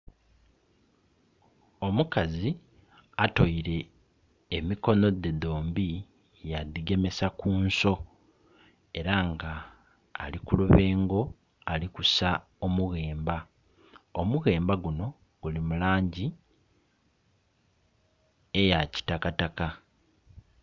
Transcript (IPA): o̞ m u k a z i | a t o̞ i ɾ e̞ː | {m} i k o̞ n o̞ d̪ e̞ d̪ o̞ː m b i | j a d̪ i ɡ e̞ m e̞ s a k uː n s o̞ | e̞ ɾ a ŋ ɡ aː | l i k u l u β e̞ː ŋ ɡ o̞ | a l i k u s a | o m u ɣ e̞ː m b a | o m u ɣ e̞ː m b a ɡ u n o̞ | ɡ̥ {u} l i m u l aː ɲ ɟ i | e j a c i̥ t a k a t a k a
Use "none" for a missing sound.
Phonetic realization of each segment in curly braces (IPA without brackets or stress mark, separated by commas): m, u